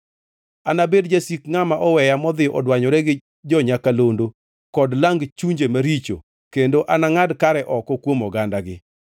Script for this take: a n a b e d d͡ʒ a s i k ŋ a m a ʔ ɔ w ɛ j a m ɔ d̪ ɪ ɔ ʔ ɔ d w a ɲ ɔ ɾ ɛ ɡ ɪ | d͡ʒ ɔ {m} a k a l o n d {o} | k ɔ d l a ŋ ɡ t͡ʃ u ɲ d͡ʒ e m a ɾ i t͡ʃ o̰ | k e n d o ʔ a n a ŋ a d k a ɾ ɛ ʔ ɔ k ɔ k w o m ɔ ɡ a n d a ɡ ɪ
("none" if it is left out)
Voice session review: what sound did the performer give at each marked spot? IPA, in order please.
ɲ, o

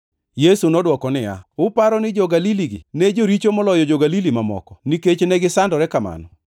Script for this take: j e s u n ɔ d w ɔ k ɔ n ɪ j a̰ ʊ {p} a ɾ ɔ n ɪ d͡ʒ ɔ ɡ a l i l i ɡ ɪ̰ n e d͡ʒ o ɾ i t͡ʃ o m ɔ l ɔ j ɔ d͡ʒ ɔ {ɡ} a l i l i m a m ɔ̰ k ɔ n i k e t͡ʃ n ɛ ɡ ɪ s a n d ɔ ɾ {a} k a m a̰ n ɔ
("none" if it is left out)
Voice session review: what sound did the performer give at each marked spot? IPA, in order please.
p, ɡ, ɛ

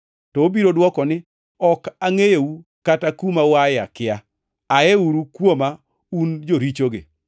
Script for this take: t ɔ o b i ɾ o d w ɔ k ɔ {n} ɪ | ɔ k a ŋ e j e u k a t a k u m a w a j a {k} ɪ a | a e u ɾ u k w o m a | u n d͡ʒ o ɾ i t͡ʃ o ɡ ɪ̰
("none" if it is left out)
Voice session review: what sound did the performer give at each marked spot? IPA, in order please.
n, k

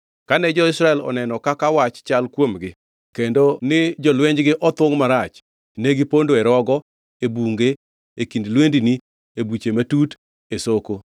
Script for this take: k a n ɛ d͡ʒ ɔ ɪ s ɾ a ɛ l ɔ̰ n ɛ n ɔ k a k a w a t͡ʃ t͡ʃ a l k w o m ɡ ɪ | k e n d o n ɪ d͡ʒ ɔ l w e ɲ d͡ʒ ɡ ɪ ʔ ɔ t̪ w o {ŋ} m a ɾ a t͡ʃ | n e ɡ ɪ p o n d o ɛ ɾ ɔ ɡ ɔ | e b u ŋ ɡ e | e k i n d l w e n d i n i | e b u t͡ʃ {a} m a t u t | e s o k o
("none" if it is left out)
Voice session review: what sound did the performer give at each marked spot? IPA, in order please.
ŋ, e

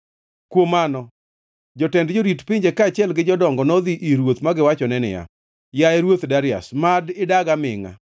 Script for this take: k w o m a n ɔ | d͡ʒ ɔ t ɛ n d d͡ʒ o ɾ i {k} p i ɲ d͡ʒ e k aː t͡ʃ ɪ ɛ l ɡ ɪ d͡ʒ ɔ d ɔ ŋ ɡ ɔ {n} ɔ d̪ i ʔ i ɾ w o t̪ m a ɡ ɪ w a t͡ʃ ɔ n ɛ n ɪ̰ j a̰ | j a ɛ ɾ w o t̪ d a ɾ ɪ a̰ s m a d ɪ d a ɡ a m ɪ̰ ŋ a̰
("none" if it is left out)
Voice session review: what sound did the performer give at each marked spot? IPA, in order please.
t, n

